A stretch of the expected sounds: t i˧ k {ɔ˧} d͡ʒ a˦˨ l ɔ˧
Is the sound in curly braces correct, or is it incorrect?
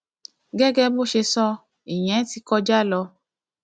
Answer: correct